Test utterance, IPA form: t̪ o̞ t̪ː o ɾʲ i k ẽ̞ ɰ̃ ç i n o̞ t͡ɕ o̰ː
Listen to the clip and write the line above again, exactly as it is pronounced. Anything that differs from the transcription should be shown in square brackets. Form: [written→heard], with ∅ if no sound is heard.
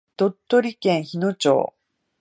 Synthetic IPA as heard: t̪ o̞ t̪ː o ɾʲ i k ẽ̞ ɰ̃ ç i n o̞ t͡ɕ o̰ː

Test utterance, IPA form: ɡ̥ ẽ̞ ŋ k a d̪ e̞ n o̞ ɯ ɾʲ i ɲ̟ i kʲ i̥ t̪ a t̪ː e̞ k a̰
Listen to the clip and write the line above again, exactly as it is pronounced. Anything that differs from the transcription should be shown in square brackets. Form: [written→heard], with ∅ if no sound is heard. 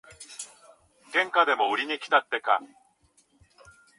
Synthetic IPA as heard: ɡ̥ ẽ̞ ŋ k a d̪ e̞ [n→m] o̞ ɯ ɾʲ i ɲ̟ i kʲ i̥ t̪ a t̪ː e̞ k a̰

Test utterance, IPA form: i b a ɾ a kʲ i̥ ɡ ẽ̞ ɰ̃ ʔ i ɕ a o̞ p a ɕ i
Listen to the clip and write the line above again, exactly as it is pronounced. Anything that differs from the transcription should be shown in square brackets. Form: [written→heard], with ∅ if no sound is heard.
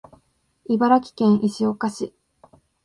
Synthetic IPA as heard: i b a ɾ a kʲ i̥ [ɡ→k] ẽ̞ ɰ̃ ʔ i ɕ [a→i] o̞ [p→k] a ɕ i

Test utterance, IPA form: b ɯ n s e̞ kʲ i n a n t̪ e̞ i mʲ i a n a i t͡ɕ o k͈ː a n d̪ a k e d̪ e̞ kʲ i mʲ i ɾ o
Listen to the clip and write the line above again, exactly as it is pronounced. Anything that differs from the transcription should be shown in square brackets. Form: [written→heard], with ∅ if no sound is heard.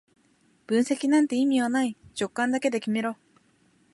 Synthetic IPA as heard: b ɯ n s e̞ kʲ i n a n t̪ e̞ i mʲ i a n a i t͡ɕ o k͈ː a n d̪ a k e d̪ e̞ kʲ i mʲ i ɾ o

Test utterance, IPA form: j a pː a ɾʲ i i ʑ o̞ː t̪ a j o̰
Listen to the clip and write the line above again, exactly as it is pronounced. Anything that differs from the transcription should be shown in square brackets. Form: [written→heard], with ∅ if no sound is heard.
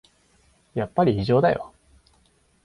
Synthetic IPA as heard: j a pː a ɾʲ i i ʑ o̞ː [t̪→d̪] a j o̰

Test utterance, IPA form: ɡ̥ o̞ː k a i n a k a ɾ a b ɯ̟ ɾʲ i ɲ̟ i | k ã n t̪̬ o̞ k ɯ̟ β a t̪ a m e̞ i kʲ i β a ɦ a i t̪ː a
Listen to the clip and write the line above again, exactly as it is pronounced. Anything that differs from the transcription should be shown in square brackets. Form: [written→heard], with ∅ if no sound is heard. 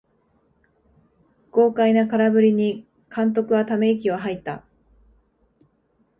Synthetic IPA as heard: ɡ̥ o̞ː k a i n a k a ɾ a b ɯ̟ ɾʲ i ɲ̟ i | k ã n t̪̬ o̞ k ɯ̟ β a t̪ a m e̞ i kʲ i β a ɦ a i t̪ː a

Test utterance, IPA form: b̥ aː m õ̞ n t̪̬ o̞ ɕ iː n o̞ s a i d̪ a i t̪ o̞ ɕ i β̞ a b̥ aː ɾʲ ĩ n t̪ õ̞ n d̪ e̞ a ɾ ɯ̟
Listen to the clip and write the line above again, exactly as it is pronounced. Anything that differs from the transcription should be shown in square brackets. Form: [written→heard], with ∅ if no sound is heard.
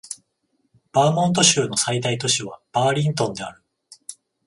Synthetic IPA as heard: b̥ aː m õ̞ n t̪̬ o̞ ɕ [iː→ɨː] n o̞ s a i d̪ a i t̪ o̞ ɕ i β̞ a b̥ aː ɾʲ ĩ n t̪ õ̞ n d̪ e̞ a ɾ ɯ̟

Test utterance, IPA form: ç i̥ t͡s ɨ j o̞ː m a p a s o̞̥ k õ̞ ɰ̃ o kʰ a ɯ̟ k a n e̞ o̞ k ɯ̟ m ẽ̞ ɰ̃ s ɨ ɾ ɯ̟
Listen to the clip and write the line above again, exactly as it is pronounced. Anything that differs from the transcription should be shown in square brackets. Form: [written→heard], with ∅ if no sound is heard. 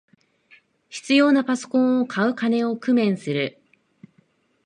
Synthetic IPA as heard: ç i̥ t͡s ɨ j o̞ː [m→n] a p a s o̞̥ k õ̞ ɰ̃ o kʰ a ɯ̟ k a n e̞ o̞ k ɯ̟ m ẽ̞ ɰ̃ s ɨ ɾ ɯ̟

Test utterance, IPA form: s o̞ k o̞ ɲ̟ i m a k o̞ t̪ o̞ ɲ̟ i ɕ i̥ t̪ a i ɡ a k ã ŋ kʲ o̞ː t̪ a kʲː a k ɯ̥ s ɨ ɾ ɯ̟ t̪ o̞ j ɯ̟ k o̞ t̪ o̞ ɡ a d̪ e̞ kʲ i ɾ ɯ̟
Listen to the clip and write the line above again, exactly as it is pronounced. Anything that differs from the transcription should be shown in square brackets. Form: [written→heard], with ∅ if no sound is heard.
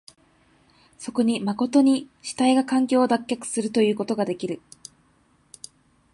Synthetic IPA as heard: s o̞ k o̞ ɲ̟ i m a k o̞ t̪ o̞ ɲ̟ i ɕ i̥ t̪ a i ɡ a k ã ŋ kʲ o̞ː [t̪→d̪] a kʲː a k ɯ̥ s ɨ ɾ ɯ̟ t̪ o̞ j [ɯ̟→ɯ̟ː] k o̞ t̪ o̞ ɡ a d̪ e̞ kʲ i ɾ ɯ̟

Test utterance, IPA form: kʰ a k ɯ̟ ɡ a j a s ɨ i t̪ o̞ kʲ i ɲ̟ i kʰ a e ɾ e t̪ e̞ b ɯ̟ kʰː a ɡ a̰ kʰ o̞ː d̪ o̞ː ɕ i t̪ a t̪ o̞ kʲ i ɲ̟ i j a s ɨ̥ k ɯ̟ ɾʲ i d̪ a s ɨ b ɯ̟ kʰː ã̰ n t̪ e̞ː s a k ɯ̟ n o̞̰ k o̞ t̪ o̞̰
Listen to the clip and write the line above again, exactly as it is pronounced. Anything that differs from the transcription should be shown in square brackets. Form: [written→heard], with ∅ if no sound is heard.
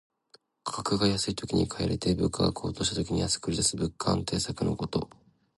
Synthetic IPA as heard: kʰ a k ɯ̟ ɡ a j a s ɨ i t̪ o̞ kʲ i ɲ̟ i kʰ a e ɾ e t̪ e̞ b ɯ̟ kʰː a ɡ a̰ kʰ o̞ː [d̪→t̪] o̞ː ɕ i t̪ a t̪ o̞ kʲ i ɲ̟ i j a s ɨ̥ k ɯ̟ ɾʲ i d̪ a s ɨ b ɯ̟ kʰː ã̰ n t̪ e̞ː s a k ɯ̟ n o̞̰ k o̞ t̪ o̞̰

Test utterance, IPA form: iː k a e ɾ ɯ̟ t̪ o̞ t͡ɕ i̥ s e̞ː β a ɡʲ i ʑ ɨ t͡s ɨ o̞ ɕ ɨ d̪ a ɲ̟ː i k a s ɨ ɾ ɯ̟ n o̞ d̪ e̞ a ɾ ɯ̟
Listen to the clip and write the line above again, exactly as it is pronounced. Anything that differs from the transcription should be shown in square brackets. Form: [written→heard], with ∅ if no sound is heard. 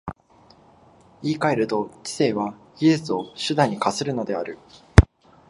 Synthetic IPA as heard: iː k a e ɾ ɯ̟ t̪ o̞ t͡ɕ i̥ s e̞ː β a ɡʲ i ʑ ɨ t͡s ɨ o̞ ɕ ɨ d̪ a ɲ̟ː i k a s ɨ ɾ ɯ̟ n o̞ d̪ e̞ a ɾ ɯ̟

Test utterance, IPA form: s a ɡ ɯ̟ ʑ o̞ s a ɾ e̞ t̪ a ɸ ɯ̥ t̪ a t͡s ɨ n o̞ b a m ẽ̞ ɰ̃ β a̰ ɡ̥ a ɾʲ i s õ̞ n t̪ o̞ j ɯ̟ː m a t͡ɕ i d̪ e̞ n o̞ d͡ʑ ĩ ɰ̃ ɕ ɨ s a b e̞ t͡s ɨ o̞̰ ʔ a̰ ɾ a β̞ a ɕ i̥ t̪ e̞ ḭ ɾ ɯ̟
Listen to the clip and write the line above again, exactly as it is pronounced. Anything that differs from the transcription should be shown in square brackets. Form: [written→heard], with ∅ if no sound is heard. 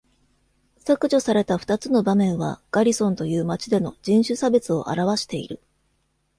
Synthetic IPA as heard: s a [ɡ→k] ɯ̟ ʑ o̞ s a ɾ e̞ t̪ a ɸ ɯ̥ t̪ a t͡s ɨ n o̞ b a m ẽ̞ ɰ̃ β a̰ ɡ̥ a ɾʲ i s õ̞ n t̪ o̞ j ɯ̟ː m a t͡ɕ i d̪ e̞ n o̞ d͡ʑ ĩ ɰ̃ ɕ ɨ s a b e̞ t͡s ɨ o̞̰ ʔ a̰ ɾ a β̞ a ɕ i̥ t̪ e̞ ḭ ɾ ɯ̟

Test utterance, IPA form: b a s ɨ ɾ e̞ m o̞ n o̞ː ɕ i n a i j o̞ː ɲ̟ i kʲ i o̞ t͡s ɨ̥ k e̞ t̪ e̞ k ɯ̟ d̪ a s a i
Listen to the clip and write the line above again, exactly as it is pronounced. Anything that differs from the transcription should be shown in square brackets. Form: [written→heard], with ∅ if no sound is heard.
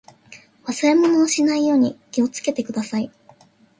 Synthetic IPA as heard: [b→β] a s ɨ ɾ e̞ m o̞ n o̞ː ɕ i n a i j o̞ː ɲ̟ i kʲ i o̞ t͡s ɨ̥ k e̞ t̪ e̞ k ɯ̟ d̪ a s a i

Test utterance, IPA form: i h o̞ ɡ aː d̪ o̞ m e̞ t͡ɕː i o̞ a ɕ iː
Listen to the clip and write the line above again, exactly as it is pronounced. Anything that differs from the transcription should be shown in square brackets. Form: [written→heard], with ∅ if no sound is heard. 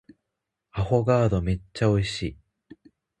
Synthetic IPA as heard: [i→a] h o̞ ɡ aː d̪ o̞ m e̞ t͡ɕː [i→a] o̞ [a→i] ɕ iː

